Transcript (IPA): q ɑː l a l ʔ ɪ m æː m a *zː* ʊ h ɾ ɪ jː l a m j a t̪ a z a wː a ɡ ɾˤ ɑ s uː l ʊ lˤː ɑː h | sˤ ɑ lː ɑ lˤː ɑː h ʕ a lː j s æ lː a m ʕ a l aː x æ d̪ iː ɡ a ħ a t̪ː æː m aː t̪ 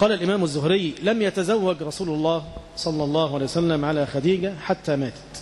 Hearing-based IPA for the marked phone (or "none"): zː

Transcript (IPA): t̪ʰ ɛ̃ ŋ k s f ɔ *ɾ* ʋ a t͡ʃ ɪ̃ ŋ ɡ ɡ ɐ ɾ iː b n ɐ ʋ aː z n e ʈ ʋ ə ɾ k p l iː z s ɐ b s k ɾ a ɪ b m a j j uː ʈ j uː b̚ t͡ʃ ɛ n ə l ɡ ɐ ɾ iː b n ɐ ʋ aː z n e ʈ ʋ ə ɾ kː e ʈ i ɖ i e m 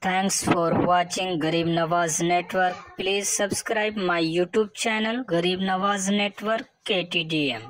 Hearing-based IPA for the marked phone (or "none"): ɾ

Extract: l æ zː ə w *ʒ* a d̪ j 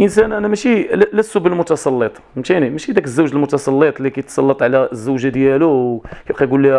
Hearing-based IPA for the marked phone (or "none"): ʒ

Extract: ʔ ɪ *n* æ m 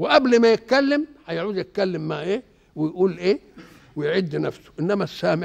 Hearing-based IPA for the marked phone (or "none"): nː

